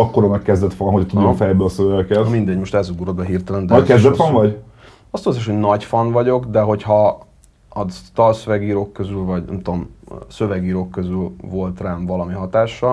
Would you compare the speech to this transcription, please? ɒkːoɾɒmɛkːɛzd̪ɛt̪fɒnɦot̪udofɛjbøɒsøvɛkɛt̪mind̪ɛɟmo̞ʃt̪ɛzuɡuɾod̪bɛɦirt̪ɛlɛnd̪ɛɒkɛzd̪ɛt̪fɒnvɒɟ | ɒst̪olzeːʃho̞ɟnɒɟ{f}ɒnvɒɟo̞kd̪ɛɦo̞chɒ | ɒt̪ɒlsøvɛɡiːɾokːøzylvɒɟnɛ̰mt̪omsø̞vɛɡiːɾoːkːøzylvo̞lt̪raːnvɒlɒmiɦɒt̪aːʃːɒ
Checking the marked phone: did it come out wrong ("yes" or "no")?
no